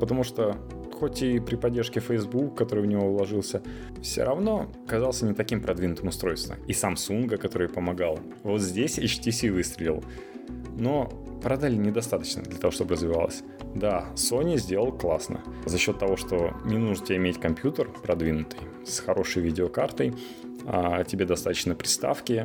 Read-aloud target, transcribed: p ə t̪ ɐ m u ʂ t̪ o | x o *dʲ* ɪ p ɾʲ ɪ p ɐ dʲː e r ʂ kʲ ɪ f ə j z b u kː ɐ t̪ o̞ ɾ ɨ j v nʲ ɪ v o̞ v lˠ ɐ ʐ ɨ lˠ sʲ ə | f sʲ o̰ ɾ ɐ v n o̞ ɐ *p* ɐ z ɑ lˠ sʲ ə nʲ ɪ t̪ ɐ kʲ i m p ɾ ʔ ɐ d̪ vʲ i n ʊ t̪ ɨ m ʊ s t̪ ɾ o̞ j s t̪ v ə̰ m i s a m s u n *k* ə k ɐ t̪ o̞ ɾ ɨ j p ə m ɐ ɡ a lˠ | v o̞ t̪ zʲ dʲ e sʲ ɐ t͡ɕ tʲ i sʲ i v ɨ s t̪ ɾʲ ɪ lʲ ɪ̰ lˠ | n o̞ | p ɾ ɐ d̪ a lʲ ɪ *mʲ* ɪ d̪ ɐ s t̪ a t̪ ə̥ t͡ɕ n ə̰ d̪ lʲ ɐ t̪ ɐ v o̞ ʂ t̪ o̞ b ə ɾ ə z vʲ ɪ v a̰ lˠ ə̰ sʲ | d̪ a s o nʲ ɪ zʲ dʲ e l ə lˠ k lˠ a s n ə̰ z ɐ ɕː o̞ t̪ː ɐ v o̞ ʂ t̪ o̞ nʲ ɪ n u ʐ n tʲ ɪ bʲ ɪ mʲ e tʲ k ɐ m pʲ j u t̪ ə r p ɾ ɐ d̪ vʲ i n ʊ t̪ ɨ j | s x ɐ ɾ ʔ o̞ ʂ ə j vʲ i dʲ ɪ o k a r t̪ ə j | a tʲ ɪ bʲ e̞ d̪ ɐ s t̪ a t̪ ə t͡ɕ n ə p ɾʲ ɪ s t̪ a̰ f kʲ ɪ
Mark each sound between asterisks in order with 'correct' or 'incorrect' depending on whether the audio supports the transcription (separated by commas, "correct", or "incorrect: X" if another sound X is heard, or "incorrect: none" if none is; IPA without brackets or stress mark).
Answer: incorrect: tʲ, incorrect: k, incorrect: ɡ, incorrect: nʲ